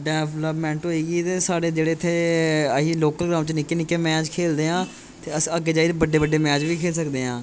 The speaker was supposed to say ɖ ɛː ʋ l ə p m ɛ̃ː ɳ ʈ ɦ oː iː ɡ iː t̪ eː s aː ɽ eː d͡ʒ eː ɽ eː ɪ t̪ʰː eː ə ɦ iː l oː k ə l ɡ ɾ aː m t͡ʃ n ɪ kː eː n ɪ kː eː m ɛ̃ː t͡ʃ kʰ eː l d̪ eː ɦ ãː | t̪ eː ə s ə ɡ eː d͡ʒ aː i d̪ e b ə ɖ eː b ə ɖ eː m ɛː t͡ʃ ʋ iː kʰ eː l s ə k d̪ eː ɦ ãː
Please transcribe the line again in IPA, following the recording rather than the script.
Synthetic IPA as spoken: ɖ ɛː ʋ l ə p m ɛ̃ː ɳ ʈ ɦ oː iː ɡ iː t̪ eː s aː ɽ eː d͡ʒ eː ɽ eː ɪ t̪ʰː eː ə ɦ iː l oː k ə l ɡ ɾ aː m t͡ʃ n ɪ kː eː n ɪ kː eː m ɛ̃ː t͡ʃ kʰ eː l d̪ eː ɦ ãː | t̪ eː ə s ə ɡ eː d͡ʒ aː i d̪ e b ə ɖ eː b ə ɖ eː m ɛː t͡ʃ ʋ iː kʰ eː l s ə k d̪ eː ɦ ãː